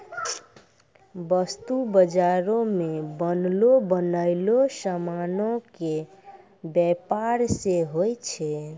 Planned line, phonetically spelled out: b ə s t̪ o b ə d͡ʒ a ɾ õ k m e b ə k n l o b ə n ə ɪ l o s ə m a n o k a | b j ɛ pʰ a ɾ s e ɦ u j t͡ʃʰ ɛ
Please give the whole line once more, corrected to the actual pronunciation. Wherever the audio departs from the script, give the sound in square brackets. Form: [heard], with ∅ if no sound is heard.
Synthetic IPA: b ə s t̪ [u] b ə d͡ʒ a ɾ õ [∅] m e b ə [∅] n l o b ə n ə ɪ l o s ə m a n o k [e] | b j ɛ [p] a ɾ s e ɦ [o] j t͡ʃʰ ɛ